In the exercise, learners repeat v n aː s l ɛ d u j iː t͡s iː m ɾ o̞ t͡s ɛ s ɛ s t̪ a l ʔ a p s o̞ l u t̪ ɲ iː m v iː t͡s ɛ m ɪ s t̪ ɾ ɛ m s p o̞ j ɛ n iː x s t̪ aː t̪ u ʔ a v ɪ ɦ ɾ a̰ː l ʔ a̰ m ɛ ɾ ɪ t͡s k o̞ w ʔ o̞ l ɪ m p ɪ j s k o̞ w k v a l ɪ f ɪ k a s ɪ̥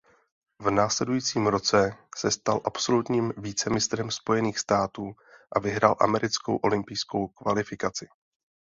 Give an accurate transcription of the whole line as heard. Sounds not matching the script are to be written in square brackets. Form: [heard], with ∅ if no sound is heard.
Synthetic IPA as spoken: v n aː s l ɛ d u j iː t͡s iː m ɾ o̞ t͡s ɛ s ɛ s t̪ a l ʔ a p s o̞ l u t̪ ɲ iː m v iː t͡s ɛ m ɪ s t̪ ɾ ɛ m s p o̞ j ɛ n iː x s t̪ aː t̪ [uː] ʔ a v ɪ ɦ ɾ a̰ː l ʔ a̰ m ɛ ɾ ɪ t͡s k o̞ w ʔ o̞ l ɪ m p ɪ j s k o̞ w k v a l ɪ f ɪ k a [t͡s] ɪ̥